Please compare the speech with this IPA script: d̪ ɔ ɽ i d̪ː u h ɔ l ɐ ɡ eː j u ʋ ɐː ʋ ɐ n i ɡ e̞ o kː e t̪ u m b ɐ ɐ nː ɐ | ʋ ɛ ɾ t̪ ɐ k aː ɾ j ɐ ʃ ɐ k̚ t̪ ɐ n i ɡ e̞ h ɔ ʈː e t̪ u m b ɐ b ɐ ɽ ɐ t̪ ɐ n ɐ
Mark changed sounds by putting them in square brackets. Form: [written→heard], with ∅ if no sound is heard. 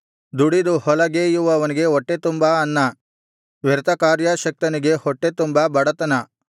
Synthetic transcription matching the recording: d̪ [ɔ→u] ɽ i [d̪ː→d̪] u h ɔ l ɐ ɡ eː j u ʋ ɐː ʋ ɐ n i ɡ e̞ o [kː→ʈː] e t̪ u m b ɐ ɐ nː ɐ | ʋ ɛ ɾ t̪ ɐ k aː ɾ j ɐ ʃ ɐ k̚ t̪ ɐ n i ɡ e̞ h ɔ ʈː e t̪ u m b ɐ b ɐ ɽ ɐ t̪ ɐ n ɐ

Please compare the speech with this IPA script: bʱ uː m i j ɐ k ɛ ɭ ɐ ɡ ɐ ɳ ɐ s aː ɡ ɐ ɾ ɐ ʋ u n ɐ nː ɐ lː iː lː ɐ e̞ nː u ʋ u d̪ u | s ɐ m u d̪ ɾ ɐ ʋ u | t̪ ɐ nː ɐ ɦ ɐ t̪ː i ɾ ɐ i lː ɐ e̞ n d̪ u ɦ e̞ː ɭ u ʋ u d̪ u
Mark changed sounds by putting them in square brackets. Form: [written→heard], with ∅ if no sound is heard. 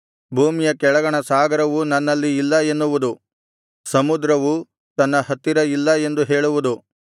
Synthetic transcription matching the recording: bʱ uː m i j ɐ k ɛ ɭ ɐ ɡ ɐ ɳ ɐ s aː ɡ ɐ ɾ ɐ ʋ u n ɐ nː ɐ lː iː lː ɐ e̞ nː u ʋ u d̪ u | s ɐ m u d̪ ɾ ɐ ʋ u | t̪ ɐ nː ɐ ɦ ɐ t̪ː i ɾ ɐ i lː ɐ e̞ n d̪ u ɦ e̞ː ɭ u ʋ u d̪ u

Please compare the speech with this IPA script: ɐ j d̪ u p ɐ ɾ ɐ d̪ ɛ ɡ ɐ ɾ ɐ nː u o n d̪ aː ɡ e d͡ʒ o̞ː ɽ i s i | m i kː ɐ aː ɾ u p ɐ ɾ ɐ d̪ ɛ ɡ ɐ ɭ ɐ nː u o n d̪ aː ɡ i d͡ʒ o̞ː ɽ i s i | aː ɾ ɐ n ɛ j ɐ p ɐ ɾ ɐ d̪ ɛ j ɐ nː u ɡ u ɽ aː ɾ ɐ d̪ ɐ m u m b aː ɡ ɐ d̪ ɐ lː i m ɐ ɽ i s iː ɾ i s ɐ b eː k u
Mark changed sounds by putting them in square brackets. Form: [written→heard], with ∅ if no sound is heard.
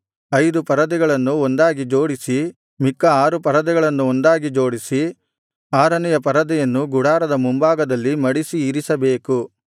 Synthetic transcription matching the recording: ɐ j d̪ u p ɐ ɾ ɐ d̪ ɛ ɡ ɐ [ɾ→ɭ] ɐ nː u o n d̪ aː ɡ [e→i] d͡ʒ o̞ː ɽ i s i | m i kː ɐ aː ɾ u p ɐ ɾ ɐ d̪ ɛ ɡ ɐ ɭ ɐ nː u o n d̪ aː ɡ i d͡ʒ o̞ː ɽ i s i | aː ɾ ɐ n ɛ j ɐ p ɐ ɾ ɐ d̪ ɛ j ɐ nː u ɡ u ɽ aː ɾ ɐ d̪ ɐ m u m b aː ɡ ɐ d̪ ɐ lː i m ɐ ɽ i s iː ɾ i s ɐ b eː k u

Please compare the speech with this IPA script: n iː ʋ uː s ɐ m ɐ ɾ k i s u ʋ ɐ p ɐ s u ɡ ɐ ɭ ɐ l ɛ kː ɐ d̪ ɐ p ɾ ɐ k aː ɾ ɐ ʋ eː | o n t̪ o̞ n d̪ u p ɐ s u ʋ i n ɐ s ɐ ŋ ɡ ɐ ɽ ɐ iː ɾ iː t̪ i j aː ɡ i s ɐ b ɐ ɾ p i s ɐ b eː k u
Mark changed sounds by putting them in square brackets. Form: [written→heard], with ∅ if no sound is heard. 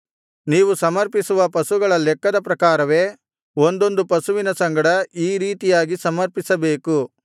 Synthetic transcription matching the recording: n iː ʋ [uː→u] s ɐ m ɐ ɾ [k→p] i s u ʋ ɐ p ɐ s u ɡ ɐ ɭ ɐ l ɛ kː ɐ d̪ ɐ p ɾ ɐ k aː ɾ ɐ ʋ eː | o n [t̪→d̪] o̞ n d̪ u p ɐ s u ʋ i n ɐ s ɐ ŋ ɡ ɐ ɽ ɐ iː ɾ iː t̪ i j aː ɡ i s ɐ [b→m] ɐ ɾ p i s ɐ b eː k u

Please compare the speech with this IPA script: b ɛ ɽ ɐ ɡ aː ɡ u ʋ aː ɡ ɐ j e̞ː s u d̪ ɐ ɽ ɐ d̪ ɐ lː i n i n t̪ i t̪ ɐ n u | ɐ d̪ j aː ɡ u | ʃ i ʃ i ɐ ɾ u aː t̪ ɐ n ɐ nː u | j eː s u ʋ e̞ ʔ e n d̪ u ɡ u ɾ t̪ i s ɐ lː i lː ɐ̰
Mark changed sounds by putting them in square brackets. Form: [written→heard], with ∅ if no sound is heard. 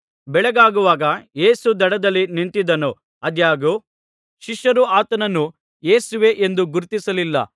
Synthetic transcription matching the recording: b ɛ [ɽ→ɭ] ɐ ɡ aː ɡ u ʋ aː ɡ ɐ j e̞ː s u d̪ ɐ ɽ ɐ d̪ ɐ lː i n i n t̪ i [t̪→d̪] ɐ n u | ɐ d̪ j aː ɡ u | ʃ i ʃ [i→j] ɐ ɾ u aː t̪ ɐ n ɐ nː u | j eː s u ʋ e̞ ʔ e n d̪ u ɡ u ɾ t̪ i s ɐ [lː→l] i lː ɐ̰

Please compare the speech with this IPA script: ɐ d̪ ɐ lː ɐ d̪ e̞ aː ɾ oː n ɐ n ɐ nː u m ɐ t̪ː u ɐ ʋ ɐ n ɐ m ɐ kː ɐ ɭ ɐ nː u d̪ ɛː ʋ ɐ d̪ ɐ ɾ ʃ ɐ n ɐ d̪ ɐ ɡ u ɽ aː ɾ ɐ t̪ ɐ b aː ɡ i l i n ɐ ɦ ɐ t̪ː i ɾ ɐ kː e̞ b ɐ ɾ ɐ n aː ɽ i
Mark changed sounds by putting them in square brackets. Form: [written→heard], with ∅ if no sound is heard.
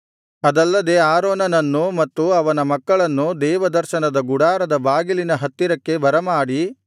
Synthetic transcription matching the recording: ɐ d̪ ɐ lː ɐ d̪ e̞ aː ɾ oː n ɐ n ɐ nː u m ɐ t̪ː u ɐ ʋ ɐ n ɐ m ɐ kː ɐ ɭ ɐ nː u d̪ ɛː ʋ ɐ d̪ ɐ ɾ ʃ ɐ n ɐ d̪ ɐ ɡ u ɽ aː ɾ ɐ [t̪→d̪] ɐ b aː ɡ i l i n ɐ ɦ ɐ t̪ː i ɾ ɐ kː e̞ b ɐ ɾ ɐ [n→m] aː ɽ i

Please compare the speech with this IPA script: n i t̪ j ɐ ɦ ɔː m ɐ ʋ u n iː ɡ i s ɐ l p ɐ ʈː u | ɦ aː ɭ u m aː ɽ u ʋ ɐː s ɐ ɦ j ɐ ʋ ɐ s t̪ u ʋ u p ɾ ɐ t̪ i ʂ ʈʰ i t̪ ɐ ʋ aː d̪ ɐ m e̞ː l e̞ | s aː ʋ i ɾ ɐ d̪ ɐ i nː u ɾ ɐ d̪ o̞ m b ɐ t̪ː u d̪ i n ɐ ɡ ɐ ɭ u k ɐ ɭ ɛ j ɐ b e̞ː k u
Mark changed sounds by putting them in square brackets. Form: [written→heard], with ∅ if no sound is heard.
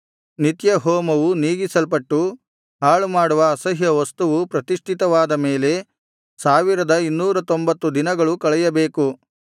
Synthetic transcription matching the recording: n i t̪ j ɐ ɦ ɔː m ɐ ʋ u n iː ɡ i s ɐ l p ɐ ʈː u | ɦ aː ɭ u m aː ɽ u ʋ ɐː s ɐ ɦ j ɐ ʋ ɐ s t̪ u ʋ u p ɾ ɐ t̪ i ʂ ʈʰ i t̪ ɐ ʋ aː d̪ ɐ m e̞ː l e̞ | s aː ʋ i ɾ ɐ d̪ ɐ i nː [u→uː] ɾ ɐ [d̪→t̪] o̞ m b ɐ t̪ː u d̪ i n ɐ ɡ ɐ ɭ u k ɐ ɭ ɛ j ɐ b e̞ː k u

